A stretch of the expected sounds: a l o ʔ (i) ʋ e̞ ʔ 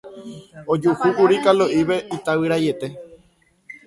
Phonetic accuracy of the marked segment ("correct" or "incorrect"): correct